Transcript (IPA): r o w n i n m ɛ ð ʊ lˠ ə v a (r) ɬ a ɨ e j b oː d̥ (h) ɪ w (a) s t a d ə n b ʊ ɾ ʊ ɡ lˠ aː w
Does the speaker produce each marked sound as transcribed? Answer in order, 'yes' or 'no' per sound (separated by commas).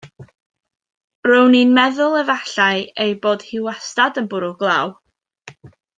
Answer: no, yes, yes